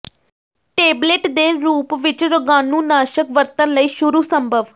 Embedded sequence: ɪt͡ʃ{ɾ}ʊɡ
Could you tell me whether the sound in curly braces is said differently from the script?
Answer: no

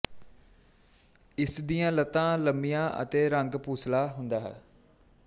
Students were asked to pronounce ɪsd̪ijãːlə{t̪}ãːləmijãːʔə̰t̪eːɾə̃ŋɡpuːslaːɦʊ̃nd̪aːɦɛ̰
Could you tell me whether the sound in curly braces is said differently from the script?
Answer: no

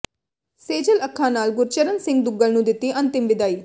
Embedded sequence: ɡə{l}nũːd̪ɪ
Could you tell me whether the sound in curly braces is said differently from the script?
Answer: no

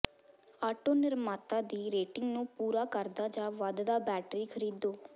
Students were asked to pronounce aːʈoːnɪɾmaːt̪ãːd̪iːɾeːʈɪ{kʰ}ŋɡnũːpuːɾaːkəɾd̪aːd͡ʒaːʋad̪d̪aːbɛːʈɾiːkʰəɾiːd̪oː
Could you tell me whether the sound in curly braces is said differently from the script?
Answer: yes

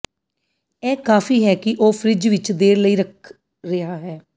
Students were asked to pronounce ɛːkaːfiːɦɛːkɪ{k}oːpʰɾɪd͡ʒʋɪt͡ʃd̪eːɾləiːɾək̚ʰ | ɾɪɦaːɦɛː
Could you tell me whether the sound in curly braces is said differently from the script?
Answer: yes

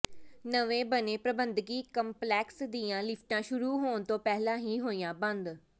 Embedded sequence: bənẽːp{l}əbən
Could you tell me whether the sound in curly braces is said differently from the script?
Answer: yes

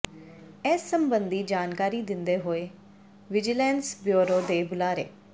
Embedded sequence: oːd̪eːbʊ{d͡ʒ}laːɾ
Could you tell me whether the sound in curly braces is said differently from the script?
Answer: yes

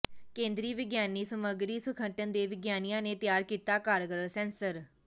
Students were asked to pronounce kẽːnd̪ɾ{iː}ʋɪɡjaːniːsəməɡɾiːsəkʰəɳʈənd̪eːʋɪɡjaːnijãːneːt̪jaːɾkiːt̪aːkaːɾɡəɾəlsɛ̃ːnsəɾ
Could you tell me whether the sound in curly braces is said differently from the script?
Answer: no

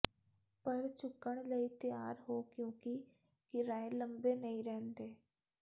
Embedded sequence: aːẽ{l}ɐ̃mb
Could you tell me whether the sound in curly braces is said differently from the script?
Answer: no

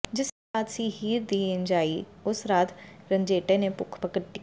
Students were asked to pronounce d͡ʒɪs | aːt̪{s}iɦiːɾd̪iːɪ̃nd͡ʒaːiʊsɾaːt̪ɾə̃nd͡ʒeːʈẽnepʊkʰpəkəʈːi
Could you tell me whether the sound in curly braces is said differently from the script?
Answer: no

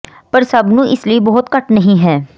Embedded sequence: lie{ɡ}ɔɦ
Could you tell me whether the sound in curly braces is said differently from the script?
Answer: yes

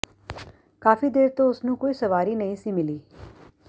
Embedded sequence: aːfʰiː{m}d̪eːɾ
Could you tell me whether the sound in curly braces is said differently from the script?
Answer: yes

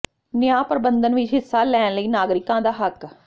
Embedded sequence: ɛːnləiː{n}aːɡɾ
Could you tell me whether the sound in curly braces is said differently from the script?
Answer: no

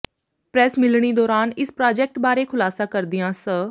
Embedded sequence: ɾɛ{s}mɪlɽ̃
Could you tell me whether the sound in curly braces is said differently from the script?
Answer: no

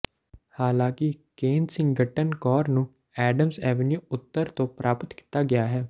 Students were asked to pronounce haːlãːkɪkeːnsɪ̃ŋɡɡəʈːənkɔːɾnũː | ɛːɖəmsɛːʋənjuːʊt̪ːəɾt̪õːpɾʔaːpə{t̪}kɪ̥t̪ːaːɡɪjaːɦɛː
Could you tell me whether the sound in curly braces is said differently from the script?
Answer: no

